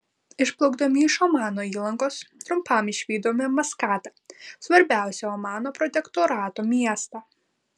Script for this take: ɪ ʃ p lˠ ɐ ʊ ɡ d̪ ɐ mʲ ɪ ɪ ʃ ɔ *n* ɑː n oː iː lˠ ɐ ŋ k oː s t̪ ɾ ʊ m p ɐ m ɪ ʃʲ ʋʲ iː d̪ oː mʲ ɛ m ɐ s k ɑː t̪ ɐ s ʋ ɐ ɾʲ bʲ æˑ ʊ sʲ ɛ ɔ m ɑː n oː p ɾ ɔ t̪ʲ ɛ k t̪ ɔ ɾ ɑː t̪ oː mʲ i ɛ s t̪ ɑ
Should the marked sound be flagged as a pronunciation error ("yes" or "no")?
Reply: yes